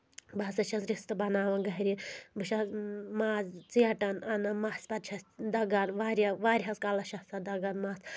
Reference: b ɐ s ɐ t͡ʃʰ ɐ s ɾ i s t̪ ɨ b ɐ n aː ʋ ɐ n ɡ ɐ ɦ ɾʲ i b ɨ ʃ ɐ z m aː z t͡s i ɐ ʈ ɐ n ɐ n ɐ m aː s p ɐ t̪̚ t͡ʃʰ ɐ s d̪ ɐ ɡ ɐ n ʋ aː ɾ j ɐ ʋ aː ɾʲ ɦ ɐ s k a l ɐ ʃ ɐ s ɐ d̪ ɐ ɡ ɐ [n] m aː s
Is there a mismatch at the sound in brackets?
no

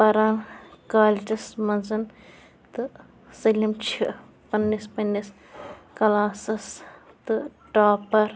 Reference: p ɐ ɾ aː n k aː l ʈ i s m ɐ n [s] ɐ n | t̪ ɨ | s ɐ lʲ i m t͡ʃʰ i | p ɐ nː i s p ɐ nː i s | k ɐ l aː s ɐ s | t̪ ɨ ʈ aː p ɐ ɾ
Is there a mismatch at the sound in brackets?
yes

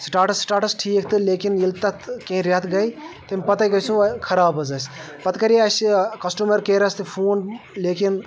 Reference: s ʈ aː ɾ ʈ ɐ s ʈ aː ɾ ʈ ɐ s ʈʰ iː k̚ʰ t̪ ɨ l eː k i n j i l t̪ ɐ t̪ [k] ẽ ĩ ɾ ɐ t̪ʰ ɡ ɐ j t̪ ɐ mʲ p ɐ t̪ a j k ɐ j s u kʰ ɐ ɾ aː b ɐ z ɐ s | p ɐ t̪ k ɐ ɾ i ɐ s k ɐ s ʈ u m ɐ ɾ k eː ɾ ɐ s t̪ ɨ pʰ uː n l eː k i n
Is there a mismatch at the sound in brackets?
no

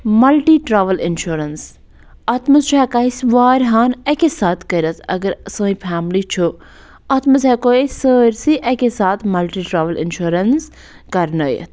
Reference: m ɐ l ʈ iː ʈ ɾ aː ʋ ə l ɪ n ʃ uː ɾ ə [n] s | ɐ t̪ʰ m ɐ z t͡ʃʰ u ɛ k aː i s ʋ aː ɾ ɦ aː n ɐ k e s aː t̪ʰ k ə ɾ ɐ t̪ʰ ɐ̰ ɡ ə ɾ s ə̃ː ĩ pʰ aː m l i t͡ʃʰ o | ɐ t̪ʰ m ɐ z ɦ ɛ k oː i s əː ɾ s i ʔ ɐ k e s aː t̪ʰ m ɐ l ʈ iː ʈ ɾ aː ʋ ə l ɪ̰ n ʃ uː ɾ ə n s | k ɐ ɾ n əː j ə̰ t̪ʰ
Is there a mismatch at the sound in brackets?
no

